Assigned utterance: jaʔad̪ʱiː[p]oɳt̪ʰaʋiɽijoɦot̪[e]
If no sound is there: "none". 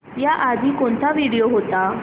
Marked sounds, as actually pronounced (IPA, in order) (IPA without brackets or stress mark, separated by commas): k, a